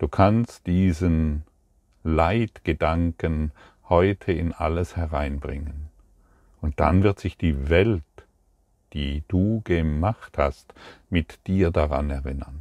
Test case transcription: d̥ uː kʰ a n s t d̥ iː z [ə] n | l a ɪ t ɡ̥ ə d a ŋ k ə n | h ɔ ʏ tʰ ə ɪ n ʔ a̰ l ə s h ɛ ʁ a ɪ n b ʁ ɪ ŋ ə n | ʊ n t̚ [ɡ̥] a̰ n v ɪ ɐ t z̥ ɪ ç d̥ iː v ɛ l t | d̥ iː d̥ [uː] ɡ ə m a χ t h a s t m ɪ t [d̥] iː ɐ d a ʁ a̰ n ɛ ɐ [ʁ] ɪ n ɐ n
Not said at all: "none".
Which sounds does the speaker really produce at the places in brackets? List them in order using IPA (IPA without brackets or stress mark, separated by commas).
ə, d̥, uː, d̥, ʁ